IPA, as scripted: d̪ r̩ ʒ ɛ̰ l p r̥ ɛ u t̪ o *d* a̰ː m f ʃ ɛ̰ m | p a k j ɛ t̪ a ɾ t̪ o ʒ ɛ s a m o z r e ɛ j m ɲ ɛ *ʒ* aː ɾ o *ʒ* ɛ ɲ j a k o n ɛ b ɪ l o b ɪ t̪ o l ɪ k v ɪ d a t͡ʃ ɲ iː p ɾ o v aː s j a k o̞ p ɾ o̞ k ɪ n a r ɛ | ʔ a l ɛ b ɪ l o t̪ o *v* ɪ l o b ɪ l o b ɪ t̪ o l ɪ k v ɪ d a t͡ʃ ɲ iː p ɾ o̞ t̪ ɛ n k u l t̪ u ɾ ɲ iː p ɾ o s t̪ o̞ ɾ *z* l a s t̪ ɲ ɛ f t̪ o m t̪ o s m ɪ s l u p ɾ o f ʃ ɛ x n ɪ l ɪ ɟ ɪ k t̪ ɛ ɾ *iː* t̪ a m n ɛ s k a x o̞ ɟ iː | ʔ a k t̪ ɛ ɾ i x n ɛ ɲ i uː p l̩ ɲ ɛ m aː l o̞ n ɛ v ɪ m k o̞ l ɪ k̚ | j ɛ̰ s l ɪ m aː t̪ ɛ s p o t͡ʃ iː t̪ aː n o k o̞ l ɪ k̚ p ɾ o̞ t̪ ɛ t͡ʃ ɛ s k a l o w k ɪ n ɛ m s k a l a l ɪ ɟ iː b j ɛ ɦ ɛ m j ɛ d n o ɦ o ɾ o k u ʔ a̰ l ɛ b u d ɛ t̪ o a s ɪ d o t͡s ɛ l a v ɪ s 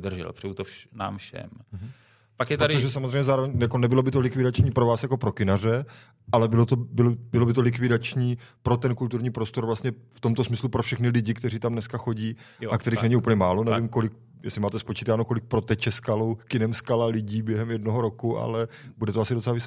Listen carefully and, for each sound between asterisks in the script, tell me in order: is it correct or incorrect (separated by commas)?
incorrect, incorrect, incorrect, incorrect, incorrect, correct